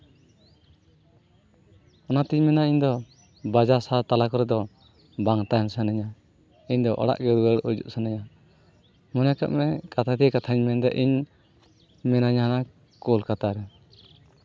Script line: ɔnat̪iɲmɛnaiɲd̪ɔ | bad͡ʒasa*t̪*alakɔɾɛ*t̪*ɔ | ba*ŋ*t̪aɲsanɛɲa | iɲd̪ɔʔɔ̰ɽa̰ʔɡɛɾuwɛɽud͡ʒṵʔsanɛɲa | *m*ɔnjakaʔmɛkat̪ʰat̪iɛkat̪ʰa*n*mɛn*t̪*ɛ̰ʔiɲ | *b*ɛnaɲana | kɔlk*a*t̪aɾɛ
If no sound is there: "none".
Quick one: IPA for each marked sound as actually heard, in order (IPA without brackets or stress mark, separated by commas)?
t̪, d̪, ŋ, m, ɲ, d̪, m, a